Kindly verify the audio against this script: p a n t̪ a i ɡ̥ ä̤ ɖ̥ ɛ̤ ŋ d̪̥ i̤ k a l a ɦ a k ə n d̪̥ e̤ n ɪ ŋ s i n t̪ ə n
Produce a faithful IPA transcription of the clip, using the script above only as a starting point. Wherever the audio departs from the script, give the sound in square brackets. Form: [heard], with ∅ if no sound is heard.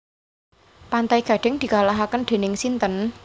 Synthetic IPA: p a n t̪ a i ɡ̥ ä̤ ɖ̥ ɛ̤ ŋ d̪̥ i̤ k a l a ɦ a k ə n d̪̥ e̤ n ɪ ŋ s i n t̪ ə n